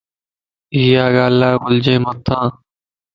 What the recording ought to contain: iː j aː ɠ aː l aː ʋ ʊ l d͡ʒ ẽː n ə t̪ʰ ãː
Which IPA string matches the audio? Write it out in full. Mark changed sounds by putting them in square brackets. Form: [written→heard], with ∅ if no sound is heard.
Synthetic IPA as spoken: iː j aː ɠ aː l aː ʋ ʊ l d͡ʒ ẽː [n→m] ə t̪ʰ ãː